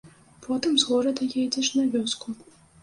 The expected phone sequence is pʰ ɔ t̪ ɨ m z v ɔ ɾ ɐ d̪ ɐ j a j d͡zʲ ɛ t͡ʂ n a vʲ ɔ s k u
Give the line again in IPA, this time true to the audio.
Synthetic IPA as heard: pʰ ɔ t̪ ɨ m z ɣ ɔ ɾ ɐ d̪ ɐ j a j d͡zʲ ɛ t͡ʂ n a vʲ ɔ s k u